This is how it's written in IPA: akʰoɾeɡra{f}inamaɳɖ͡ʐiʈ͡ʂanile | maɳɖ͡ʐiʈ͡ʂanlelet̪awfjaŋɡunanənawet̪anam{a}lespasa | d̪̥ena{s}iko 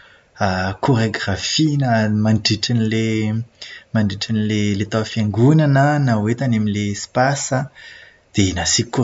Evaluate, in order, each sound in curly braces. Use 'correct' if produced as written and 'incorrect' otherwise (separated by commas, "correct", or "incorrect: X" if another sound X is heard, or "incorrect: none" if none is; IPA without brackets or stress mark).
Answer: correct, incorrect: i, correct